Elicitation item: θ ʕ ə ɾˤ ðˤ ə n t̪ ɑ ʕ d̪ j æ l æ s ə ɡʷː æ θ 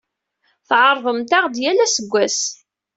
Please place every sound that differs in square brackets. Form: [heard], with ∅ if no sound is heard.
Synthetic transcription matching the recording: θ ʕ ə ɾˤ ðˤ ə [m] t̪ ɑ [ʁ] d̪ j æ l æ s ə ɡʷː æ [s]